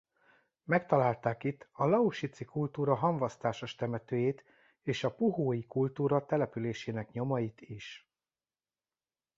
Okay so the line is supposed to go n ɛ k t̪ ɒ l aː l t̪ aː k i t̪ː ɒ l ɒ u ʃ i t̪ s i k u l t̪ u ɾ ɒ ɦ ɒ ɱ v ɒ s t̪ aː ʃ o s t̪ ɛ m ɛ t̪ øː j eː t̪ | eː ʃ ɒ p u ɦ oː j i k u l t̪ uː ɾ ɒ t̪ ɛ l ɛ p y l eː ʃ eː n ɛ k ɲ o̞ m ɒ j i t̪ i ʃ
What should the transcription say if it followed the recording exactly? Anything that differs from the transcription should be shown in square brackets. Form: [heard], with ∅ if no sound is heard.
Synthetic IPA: [m] ɛ k t̪ ɒ l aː l t̪ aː k i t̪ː ɒ l ɒ u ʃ i t̪ s i k u l t̪ [uː] ɾ ɒ ɦ ɒ ɱ v ɒ s t̪ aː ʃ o [ʃ] t̪ ɛ m ɛ t̪ øː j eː t̪ | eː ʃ ɒ p u ɦ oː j i k u l t̪ uː ɾ ɒ t̪ ɛ l ɛ p y l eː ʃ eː n ɛ k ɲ o̞ m ɒ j i t̪ i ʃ